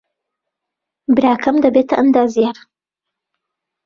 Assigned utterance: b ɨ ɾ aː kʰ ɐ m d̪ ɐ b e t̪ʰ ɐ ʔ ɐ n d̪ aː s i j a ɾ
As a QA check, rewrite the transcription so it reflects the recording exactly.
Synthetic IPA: b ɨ ɾ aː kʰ ɐ m d̪ ɐ b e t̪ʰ ɐ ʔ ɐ n d̪ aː z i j a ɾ